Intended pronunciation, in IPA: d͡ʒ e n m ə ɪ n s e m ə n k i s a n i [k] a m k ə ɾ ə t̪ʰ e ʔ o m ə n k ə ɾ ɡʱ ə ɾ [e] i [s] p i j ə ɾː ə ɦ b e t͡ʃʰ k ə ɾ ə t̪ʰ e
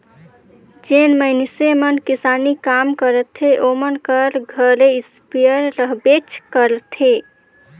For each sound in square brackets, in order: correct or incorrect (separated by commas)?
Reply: correct, correct, correct